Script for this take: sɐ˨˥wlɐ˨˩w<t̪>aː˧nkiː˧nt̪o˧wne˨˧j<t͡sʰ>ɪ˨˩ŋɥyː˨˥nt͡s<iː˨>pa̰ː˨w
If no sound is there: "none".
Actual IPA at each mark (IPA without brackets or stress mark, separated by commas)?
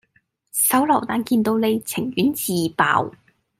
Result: t̪, t͡sʰ, iː˨